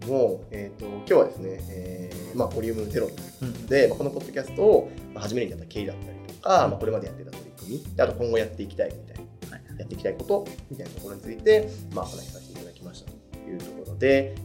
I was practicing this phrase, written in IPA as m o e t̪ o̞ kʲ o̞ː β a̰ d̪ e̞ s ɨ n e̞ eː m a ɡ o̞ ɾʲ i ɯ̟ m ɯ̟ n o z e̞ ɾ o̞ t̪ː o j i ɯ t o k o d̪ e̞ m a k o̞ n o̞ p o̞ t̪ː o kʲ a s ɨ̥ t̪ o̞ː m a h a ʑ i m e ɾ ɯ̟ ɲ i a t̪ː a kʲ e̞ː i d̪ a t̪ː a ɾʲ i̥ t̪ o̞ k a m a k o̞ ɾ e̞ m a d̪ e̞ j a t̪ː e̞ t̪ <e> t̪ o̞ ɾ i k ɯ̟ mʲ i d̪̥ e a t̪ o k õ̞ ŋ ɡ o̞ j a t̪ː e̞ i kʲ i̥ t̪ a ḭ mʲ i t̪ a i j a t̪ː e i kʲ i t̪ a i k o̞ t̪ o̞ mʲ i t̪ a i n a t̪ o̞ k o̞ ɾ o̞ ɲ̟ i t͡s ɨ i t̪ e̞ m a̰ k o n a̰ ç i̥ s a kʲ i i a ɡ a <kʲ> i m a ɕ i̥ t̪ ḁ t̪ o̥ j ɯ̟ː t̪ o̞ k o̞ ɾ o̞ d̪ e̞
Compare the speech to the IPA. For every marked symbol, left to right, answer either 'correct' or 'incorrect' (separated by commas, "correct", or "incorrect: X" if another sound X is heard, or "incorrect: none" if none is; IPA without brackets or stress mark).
incorrect: a, correct